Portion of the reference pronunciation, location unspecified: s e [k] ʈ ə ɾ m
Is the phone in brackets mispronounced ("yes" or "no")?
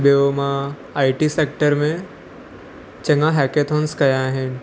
no